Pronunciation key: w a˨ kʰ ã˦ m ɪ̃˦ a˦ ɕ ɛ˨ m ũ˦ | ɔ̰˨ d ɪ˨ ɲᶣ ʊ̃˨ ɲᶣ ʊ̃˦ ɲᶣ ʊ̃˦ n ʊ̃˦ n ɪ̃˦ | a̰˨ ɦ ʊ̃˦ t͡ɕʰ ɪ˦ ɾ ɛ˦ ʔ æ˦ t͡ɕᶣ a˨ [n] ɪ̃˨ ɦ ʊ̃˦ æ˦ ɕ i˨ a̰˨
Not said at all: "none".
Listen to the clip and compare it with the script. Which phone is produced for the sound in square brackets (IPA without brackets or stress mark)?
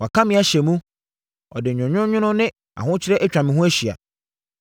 m